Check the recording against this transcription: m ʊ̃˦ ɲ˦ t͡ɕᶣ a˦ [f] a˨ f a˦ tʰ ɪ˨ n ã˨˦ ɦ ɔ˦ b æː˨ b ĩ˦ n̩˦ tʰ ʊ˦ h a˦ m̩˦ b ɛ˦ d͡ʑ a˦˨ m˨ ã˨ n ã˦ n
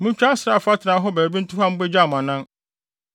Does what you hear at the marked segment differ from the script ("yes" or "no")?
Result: yes